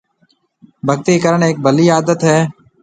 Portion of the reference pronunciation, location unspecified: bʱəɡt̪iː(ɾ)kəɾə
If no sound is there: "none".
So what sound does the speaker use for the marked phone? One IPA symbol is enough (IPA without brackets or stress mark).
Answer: none